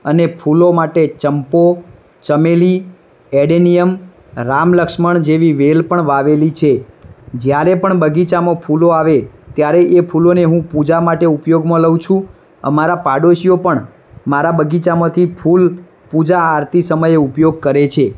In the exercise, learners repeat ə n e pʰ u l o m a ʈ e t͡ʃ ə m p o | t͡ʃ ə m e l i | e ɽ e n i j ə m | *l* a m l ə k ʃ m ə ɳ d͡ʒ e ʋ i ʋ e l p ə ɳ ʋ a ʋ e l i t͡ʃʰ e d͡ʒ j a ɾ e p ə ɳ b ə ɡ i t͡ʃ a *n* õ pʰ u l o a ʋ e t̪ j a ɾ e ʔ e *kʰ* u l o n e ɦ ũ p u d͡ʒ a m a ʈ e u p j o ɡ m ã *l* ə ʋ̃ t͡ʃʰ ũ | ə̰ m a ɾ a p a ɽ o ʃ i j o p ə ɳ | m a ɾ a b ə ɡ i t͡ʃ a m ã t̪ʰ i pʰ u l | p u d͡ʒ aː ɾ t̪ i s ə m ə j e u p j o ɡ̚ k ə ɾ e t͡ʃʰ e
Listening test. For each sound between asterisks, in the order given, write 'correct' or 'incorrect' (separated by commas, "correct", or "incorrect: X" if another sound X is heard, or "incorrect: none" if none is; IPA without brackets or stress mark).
incorrect: ɾ, incorrect: m, incorrect: pʰ, correct